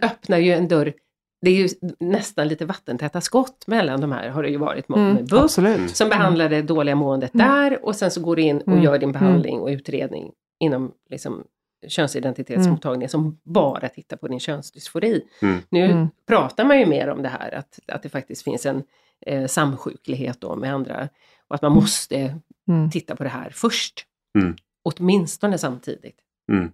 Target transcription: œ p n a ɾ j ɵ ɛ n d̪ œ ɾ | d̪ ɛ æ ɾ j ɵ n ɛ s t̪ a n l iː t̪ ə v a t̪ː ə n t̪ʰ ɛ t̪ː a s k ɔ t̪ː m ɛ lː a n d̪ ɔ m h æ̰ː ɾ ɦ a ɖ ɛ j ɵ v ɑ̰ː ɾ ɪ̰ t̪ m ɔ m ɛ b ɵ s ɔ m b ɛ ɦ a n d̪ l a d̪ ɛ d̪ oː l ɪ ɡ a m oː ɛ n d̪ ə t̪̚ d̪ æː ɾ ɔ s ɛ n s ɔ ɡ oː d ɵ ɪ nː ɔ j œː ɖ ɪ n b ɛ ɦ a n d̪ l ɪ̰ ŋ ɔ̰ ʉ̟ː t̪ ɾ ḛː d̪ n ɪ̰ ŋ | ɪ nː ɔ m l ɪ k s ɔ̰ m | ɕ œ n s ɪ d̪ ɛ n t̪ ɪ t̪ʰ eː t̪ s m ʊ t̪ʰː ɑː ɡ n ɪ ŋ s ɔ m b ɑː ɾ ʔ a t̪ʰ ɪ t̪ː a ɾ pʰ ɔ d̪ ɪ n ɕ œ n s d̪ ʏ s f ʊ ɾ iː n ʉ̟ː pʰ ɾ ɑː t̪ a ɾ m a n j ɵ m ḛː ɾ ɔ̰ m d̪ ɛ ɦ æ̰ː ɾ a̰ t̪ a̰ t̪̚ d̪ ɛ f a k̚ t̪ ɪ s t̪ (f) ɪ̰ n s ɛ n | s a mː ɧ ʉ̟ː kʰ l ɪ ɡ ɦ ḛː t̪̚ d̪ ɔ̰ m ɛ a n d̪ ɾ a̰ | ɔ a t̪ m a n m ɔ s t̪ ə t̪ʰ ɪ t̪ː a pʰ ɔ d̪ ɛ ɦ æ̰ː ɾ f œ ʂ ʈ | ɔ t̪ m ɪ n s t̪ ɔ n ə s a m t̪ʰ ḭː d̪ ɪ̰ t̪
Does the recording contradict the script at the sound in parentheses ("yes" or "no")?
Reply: no